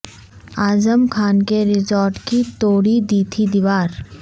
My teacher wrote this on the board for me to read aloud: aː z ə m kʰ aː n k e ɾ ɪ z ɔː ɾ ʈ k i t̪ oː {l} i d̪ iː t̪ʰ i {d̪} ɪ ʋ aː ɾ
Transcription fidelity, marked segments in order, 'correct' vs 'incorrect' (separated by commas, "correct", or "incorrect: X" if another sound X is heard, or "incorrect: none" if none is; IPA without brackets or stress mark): incorrect: ɽ, correct